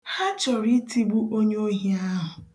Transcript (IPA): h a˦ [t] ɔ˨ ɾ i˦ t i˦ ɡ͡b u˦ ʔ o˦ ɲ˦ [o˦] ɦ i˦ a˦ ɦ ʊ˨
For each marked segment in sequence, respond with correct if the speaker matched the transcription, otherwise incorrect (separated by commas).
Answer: incorrect, correct